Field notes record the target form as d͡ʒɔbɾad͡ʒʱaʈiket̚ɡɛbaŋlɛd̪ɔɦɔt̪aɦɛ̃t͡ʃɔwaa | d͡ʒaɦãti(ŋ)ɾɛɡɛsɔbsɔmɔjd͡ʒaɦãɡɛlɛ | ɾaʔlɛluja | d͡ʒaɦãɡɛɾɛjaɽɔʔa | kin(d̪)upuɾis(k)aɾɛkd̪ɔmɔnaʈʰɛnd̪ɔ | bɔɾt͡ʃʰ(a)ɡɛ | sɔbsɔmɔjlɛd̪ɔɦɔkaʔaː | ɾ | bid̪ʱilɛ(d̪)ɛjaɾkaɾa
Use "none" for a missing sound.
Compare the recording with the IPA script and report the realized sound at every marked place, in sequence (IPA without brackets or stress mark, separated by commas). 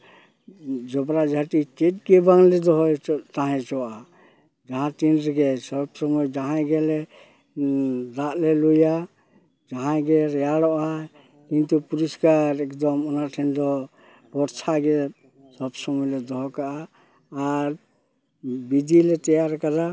n, t̪, k, a, t̪